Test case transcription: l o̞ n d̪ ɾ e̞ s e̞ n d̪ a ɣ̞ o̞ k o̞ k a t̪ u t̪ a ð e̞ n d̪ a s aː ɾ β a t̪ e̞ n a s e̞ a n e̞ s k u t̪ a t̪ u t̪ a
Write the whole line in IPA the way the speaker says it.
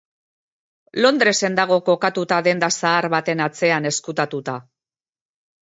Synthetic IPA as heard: l o̞ n d̪ ɾ e̞ s e̞ n d̪ a ɣ̞ o̞ k o̞ k a t̪ u t̪ a ð e̞ n d̪ a s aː ɾ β a t̪ e̞ n a t͡s e̞ a n e̞ s k u t̪ a t̪ u t̪ a